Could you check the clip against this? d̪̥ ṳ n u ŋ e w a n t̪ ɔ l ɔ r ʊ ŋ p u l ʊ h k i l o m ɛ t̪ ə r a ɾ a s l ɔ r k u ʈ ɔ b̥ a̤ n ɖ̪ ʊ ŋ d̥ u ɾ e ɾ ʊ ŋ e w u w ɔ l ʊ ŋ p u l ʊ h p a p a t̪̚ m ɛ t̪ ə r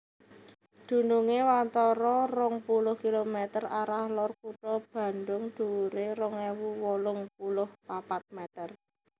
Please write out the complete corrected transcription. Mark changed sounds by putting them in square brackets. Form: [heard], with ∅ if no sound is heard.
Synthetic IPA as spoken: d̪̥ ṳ n u ŋ e w a n t̪ ɔ [ɾ] ɔ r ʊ ŋ p u l ʊ h k i l o m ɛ t̪ ə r a ɾ a [h] l ɔ r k u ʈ ɔ b̥ a̤ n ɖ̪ ʊ ŋ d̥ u ɾ e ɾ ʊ ŋ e w u w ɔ l ʊ ŋ p u l ʊ h p a p a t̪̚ m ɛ t̪ ə r

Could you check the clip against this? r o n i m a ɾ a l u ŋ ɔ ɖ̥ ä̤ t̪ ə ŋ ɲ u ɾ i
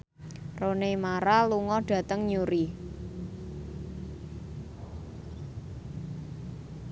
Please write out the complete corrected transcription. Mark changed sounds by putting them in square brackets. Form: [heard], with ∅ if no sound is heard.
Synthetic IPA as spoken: r o n [e] m a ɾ a l u ŋ ɔ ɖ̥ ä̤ t̪ ə ŋ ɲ u ɾ i

